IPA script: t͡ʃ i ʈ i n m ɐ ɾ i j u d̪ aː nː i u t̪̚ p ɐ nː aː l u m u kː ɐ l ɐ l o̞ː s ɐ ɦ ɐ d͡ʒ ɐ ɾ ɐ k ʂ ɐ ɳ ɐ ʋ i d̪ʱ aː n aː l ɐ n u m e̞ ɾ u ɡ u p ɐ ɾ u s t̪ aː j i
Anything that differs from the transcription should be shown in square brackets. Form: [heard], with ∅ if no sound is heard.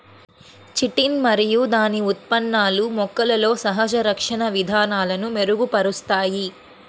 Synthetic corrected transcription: t͡ʃ i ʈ i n m ɐ ɾ i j u d̪ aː [n] i u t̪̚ p ɐ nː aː l u m [ɔ] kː ɐ l ɐ l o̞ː s ɐ ɦ ɐ d͡ʒ ɐ ɾ ɐ k ʂ ɐ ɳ ɐ ʋ i d̪ʱ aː n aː l ɐ n u m e̞ ɾ u ɡ u p ɐ ɾ u s t̪ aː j i